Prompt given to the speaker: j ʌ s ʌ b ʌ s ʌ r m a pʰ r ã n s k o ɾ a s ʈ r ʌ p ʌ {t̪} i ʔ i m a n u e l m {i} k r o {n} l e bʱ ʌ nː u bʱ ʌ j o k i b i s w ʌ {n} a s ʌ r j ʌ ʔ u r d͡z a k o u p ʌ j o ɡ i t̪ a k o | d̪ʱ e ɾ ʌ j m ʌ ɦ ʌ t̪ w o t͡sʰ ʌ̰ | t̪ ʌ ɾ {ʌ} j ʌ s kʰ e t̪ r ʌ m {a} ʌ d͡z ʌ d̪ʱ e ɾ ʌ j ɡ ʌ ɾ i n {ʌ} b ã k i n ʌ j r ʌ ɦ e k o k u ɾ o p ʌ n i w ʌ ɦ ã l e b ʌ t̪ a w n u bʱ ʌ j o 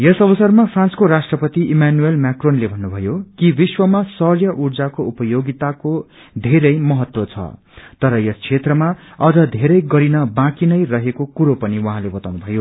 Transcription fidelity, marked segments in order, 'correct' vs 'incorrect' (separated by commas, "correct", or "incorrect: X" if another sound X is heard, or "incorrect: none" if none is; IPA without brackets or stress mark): correct, incorrect: a, correct, incorrect: m, correct, correct, correct